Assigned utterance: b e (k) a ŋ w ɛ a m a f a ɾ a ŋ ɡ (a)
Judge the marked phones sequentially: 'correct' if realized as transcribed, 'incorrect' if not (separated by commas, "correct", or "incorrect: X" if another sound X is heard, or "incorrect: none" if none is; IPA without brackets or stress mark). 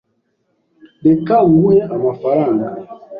correct, correct